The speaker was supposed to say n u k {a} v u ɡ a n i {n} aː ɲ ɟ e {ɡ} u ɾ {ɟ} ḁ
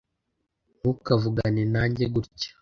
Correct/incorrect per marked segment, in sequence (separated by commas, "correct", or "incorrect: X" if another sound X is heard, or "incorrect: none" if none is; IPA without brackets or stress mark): correct, correct, correct, incorrect: c